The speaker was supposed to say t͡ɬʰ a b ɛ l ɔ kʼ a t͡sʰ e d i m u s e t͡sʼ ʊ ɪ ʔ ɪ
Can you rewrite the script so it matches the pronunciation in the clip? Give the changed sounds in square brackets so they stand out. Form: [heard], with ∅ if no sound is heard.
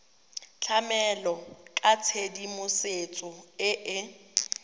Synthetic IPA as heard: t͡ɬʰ a [m] ɛ l ɔ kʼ a t͡sʰ e d i m [ʊ] s e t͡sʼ ʊ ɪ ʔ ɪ